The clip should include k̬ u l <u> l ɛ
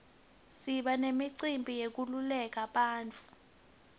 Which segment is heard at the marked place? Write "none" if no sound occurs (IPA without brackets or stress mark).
u